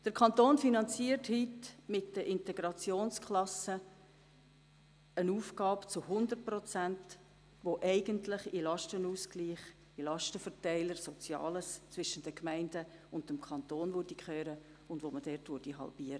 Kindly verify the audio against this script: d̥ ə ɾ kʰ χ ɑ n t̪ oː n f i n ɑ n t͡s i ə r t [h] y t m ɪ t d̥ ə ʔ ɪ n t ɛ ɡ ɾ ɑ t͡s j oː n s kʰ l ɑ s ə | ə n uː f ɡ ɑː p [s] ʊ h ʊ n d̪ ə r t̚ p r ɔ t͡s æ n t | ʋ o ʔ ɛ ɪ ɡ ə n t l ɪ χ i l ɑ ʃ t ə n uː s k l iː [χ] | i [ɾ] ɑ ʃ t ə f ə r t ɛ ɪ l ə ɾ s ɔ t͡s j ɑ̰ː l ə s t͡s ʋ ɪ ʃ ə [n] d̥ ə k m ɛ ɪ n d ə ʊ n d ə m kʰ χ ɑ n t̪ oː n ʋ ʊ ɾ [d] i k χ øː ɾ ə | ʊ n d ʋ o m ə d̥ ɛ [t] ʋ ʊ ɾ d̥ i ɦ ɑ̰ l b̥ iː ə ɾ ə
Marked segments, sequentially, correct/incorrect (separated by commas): correct, incorrect, correct, incorrect, correct, correct, correct